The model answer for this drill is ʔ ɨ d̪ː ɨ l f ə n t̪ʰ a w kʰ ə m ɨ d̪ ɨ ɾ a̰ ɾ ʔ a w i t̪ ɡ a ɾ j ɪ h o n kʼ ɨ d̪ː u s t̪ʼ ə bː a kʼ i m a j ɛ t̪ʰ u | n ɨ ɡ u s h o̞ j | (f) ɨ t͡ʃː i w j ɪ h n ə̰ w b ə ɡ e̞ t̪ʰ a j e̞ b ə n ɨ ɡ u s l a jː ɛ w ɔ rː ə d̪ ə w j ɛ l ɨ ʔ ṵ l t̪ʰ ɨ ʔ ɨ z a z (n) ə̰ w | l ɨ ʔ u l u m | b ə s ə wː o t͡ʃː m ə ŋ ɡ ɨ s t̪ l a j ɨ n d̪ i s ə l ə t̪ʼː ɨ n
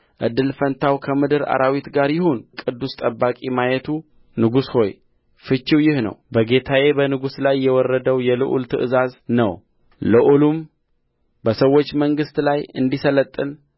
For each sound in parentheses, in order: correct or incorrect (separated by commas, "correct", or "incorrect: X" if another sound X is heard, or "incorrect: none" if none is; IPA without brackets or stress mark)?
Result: correct, correct